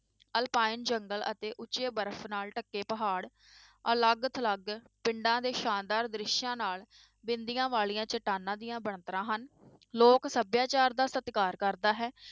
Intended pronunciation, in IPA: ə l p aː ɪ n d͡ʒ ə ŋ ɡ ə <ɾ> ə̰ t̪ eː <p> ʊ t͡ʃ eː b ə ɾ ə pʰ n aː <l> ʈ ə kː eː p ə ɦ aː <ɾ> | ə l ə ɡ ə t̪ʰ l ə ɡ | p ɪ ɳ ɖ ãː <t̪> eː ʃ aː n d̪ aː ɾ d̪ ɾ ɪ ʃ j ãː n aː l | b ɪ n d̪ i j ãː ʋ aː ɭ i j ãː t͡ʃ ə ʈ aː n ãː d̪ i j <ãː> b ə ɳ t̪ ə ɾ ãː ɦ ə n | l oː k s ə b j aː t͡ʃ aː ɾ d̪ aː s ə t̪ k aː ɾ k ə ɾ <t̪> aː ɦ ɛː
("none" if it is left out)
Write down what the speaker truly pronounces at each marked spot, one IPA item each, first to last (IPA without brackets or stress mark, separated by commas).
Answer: l, ʔ, l, ɽ, d̪, ãː, d̪